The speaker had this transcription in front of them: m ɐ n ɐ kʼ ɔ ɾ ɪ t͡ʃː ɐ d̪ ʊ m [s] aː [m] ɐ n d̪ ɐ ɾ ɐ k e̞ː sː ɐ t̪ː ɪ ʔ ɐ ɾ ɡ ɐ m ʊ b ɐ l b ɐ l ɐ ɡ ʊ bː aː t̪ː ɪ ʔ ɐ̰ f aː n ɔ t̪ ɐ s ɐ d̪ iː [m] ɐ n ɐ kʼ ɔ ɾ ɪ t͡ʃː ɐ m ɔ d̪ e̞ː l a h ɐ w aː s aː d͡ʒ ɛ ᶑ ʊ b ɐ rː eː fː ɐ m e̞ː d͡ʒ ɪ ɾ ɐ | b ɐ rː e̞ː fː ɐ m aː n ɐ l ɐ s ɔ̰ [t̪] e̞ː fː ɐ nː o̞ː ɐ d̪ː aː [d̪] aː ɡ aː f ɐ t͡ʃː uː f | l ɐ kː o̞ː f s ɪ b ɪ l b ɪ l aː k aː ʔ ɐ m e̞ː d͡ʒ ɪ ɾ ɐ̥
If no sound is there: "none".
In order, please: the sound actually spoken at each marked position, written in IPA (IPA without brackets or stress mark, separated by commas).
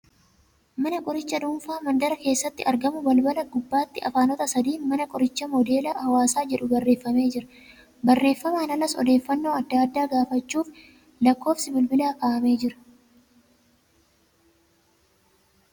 f, m, m, d̪, d̪ː